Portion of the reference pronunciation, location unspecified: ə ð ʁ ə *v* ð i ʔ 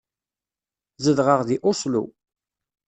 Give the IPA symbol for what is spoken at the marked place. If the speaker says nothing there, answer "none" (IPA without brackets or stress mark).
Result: ʁ